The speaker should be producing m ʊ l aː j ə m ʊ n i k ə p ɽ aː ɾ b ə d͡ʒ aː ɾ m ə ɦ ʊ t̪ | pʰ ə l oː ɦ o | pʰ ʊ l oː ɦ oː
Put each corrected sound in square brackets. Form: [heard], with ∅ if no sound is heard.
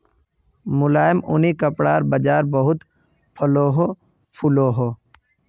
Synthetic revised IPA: m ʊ l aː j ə m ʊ n i k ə p ɽ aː ɾ b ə d͡ʒ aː ɾ [b] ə ɦ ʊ t̪ | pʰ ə l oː ɦ o | pʰ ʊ l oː ɦ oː